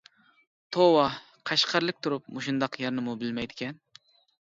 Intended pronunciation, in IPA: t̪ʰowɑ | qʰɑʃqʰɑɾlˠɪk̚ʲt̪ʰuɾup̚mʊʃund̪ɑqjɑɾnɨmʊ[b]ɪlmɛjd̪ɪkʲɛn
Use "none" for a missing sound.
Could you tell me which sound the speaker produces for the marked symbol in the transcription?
b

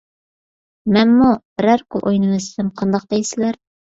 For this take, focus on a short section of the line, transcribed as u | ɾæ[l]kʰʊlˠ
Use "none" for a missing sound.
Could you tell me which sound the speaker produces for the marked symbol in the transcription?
ɾ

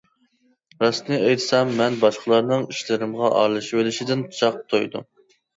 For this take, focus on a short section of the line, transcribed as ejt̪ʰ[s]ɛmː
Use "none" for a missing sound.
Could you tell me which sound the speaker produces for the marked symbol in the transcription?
s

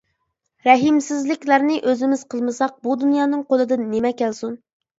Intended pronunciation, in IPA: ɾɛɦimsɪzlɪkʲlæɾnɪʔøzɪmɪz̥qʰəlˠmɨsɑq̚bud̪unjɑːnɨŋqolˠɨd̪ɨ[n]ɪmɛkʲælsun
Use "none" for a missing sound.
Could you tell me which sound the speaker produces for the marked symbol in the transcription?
nː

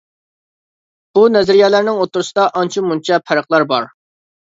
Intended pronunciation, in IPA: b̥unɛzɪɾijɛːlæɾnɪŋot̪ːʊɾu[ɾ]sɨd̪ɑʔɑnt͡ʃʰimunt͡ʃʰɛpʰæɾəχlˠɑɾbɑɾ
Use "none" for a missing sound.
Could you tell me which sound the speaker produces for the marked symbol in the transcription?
none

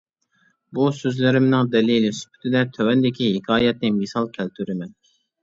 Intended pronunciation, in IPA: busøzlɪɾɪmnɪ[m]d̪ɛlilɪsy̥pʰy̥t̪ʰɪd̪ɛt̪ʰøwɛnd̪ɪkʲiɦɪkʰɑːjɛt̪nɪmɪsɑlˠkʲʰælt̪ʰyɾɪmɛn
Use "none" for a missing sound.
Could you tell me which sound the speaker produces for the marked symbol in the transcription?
ŋ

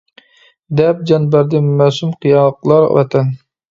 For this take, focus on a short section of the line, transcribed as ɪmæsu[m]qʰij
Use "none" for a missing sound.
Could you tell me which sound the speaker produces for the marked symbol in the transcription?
m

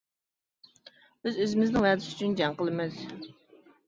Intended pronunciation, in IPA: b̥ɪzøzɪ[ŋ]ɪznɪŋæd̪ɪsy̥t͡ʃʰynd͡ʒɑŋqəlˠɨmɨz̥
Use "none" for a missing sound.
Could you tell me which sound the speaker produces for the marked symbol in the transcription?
m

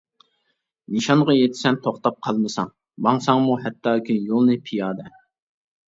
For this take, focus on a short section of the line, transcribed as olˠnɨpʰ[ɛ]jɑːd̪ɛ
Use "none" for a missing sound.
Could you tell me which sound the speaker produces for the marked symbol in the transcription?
i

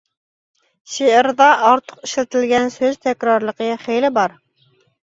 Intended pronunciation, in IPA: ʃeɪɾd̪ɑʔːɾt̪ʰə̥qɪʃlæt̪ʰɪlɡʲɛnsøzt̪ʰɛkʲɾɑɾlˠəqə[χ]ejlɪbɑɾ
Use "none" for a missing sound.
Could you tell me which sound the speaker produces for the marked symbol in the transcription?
χ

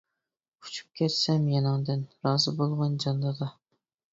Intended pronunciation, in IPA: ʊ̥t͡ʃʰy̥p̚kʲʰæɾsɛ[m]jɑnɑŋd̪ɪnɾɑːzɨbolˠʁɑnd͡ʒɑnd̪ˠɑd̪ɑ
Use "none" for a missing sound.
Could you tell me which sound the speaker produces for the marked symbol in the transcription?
m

